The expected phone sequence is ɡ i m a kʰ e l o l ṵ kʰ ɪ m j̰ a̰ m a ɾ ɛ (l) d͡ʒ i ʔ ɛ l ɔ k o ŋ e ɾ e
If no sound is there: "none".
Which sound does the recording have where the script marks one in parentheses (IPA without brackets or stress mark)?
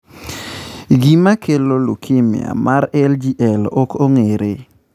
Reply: l